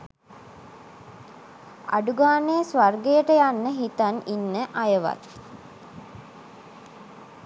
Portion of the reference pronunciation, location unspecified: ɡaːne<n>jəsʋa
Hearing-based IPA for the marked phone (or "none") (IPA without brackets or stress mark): none